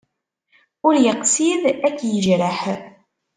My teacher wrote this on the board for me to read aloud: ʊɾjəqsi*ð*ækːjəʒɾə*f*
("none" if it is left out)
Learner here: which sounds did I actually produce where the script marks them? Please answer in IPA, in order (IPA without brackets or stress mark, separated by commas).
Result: ð, ħ